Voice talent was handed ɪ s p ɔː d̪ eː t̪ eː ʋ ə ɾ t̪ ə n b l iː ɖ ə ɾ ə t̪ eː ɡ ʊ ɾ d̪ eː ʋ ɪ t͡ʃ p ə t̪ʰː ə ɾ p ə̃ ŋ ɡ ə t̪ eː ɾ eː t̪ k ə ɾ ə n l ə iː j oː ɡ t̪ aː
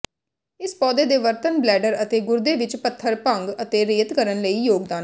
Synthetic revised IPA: ɪ s p ɔː d̪ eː d̪ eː ʋ ə ɾ t̪ ə n b l ɛː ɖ ə ɾ ə t̪ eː ɡ ʊ ɾ d̪ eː ʋ ɪ t͡ʃ p ə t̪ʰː ə ɾ p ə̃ ŋ ɡ ə t̪ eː ɾ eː t̪ k ə ɾ ə n l ə iː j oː ɡ d̪ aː